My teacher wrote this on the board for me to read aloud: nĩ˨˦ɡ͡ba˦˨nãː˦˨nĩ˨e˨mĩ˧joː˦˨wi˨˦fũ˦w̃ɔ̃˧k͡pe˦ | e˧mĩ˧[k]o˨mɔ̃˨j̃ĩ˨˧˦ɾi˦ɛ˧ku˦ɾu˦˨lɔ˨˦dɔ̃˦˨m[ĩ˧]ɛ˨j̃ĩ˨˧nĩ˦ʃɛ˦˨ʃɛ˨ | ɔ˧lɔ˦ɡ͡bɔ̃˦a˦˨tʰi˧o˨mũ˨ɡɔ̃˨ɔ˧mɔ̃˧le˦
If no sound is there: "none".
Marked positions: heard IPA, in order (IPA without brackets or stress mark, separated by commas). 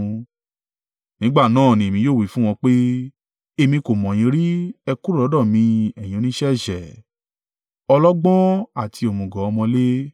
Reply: k, ĩ˧